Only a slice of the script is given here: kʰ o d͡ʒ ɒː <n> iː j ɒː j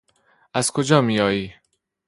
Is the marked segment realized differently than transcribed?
yes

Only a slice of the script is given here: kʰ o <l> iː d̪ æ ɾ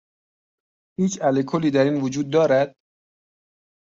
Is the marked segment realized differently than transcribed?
no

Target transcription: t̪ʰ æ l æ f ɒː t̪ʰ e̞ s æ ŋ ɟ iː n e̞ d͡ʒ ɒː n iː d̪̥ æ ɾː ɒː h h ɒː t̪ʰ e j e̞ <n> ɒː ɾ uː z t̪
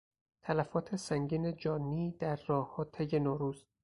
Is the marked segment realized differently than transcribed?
no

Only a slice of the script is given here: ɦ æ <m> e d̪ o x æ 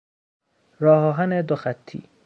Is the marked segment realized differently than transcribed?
yes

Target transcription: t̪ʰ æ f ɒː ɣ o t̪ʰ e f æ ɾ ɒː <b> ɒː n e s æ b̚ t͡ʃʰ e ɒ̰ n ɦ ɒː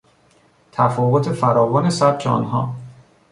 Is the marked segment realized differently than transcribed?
yes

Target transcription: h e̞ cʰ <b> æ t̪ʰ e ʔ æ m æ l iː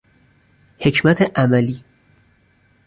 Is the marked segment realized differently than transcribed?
yes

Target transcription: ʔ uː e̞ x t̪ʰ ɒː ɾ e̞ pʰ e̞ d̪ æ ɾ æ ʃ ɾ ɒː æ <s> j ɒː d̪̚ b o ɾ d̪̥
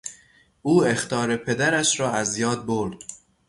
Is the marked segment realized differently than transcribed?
yes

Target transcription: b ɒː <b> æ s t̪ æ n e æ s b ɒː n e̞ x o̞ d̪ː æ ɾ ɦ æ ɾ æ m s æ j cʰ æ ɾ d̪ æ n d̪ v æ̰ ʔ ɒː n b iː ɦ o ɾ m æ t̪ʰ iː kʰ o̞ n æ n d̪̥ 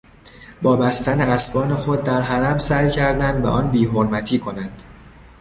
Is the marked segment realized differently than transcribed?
no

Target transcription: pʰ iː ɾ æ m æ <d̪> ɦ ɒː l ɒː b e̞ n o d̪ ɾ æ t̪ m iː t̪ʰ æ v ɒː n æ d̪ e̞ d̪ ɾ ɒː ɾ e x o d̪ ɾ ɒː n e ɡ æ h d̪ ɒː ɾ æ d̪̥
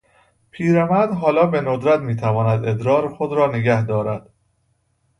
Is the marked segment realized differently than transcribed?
no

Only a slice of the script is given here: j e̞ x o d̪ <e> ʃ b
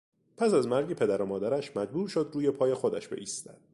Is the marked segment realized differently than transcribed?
yes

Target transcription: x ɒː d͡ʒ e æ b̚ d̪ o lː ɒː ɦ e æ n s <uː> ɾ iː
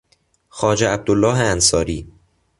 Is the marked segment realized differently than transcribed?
yes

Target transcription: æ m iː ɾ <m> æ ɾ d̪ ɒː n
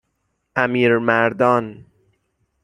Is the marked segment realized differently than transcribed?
no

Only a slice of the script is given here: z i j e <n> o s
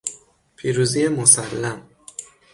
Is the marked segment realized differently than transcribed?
yes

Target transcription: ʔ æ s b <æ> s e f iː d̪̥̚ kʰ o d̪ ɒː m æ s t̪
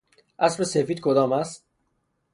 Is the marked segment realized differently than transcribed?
yes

